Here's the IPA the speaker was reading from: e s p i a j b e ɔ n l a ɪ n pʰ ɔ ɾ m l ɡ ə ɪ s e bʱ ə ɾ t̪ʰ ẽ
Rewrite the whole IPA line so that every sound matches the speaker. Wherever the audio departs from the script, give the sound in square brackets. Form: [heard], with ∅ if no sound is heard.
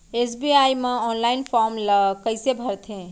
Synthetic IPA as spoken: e s [b] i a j [m] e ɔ n l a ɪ n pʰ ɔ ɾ m l [k] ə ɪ s e bʱ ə ɾ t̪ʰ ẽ